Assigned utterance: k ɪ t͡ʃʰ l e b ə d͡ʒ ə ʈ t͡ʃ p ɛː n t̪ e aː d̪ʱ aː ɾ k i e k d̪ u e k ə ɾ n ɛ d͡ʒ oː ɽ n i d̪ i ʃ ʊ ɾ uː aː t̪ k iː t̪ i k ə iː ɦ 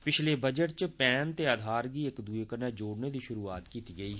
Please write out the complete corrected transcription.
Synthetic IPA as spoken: p ɪ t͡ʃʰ l e b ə d͡ʒ ə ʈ t͡ʃ p ɛː n t̪ e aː d̪ʱ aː ɾ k i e k d̪ u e k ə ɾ n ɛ d͡ʒ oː ɽ n e d̪ i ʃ ʊ ɾ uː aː t̪ k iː t̪ i ɡ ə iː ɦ

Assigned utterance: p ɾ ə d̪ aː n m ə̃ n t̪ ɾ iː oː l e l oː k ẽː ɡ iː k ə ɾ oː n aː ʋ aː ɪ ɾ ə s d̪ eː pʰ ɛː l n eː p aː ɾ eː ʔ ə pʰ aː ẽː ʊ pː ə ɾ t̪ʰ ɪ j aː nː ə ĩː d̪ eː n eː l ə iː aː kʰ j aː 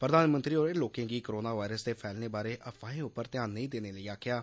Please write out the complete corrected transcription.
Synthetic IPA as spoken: p ɾ ə d̪ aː n m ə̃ n t̪ ɾ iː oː ɾ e l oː k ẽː ɡ iː k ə ɾ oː n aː ʋ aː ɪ ɾ ə s d̪ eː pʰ ɛː l n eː b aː ɾ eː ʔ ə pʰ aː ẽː ʊ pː ə ɾ t̪ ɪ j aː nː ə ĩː d̪ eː n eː l ə iː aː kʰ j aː

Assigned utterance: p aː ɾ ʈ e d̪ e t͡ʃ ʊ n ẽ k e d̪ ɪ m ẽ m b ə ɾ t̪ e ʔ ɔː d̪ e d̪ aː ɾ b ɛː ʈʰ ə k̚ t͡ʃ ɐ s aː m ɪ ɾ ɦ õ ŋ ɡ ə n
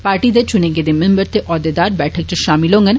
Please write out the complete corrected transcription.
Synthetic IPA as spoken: p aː ɾ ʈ i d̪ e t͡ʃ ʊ n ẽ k e d̪ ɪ m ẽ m b ə ɾ t̪ e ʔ ɔː d̪ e d̪ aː ɾ b ɛː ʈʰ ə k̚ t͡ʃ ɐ ʃ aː m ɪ l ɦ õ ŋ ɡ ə n

